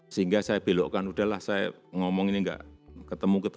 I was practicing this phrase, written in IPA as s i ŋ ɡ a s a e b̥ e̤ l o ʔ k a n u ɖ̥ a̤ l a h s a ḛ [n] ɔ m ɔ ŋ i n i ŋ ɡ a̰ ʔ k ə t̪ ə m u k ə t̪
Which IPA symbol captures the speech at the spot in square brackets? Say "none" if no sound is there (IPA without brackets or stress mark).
ŋ